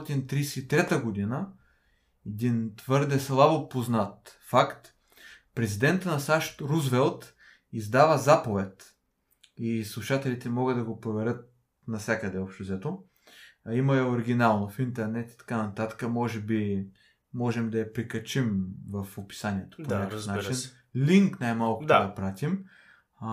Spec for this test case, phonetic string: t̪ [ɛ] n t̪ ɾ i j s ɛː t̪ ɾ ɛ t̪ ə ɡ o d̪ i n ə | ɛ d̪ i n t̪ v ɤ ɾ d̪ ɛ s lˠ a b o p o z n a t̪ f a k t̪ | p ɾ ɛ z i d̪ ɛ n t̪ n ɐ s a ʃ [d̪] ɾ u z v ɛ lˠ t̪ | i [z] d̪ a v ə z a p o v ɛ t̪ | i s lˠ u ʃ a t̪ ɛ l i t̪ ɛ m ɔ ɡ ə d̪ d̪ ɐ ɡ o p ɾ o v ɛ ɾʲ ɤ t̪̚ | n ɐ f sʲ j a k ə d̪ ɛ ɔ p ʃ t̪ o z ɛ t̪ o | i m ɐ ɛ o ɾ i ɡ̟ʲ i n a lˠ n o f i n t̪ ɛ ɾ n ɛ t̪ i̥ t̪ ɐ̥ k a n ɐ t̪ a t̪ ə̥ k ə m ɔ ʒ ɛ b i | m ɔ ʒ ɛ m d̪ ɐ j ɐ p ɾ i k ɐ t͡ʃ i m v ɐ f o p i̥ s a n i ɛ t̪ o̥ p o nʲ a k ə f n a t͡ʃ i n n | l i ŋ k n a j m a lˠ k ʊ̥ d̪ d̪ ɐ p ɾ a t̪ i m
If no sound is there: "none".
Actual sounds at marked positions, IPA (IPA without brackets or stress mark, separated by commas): i, t̪, z